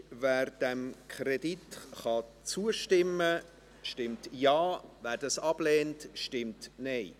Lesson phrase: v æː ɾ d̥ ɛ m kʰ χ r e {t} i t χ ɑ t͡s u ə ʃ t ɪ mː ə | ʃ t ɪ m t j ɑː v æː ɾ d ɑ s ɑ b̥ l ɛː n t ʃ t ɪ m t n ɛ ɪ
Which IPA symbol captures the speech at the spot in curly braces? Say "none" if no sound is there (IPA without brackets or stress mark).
d